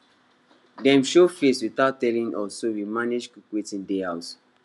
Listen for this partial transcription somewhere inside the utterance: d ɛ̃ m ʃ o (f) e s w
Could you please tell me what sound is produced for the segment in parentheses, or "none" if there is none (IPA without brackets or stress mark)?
f